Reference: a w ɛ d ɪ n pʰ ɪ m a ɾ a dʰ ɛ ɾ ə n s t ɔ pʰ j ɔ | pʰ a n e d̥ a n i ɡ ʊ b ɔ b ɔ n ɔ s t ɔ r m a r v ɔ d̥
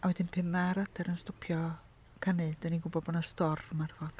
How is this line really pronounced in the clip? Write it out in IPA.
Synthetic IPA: a w ɛ d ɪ n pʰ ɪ m a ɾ a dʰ ɛ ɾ ə n s t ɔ pʰ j ɔ | kʰ a n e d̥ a n i ɡ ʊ b ɔ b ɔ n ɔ s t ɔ r m a r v ɔ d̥